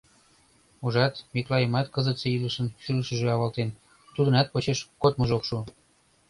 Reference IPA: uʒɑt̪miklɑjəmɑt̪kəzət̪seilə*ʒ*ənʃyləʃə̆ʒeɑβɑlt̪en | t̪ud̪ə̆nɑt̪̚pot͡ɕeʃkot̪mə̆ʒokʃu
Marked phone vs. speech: incorrect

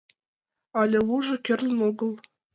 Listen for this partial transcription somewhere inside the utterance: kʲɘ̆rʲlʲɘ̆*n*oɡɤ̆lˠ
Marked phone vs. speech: correct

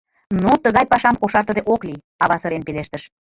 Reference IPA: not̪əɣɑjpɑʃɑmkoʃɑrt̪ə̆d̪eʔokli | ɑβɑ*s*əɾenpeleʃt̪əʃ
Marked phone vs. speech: correct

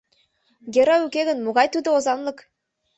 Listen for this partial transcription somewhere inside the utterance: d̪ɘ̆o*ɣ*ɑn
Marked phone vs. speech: incorrect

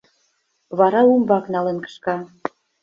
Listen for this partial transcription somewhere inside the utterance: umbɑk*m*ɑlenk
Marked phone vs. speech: incorrect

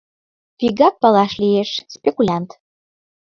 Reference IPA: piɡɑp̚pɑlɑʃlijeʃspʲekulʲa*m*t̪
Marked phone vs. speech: incorrect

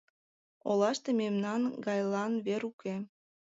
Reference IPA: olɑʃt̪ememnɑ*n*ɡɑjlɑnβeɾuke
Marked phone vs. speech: correct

